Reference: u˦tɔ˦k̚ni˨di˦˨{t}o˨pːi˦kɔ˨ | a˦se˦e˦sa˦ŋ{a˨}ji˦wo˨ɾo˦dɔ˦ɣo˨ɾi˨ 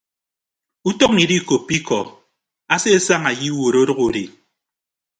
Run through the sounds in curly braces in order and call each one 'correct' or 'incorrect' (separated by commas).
incorrect, correct